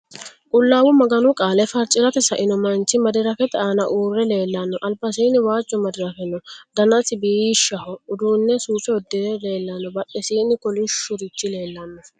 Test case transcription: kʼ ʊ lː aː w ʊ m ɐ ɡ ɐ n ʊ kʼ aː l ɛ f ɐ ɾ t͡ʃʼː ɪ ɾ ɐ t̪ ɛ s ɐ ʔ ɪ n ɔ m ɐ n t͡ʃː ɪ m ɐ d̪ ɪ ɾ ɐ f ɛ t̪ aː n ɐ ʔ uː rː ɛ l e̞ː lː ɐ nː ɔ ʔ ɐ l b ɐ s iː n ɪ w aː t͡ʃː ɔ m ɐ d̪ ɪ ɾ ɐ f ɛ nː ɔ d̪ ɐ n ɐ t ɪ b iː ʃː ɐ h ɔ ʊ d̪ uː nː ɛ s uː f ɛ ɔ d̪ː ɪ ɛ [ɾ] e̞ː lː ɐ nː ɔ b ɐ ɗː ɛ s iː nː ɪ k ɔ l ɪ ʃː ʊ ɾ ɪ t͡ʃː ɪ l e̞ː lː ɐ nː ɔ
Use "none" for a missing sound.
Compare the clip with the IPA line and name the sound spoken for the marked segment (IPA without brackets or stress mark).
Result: l